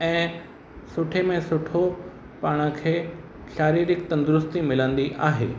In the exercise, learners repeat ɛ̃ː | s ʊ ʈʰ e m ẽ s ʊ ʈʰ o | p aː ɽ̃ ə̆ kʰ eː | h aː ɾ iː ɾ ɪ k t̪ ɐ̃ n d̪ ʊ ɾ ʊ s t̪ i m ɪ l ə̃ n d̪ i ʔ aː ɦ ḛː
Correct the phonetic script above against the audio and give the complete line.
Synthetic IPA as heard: ɛ̃ː | s ʊ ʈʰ e m ẽ s ʊ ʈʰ o | p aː ɽ̃ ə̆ kʰ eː | ʃ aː ɾ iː ɾ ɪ k t̪ ɐ̃ n d̪ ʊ ɾ ʊ s t̪ i m ɪ l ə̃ n d̪ i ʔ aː ɦ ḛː